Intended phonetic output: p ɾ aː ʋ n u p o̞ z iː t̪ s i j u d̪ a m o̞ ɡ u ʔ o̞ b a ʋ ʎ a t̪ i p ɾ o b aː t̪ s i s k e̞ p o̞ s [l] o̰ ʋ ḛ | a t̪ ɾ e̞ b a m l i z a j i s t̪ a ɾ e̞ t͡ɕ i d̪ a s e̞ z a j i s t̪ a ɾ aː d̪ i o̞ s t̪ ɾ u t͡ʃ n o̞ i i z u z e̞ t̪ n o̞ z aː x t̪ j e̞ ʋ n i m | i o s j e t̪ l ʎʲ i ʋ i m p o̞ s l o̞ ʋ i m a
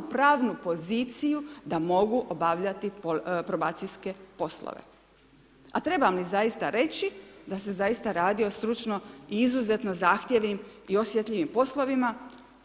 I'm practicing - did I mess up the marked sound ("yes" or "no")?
no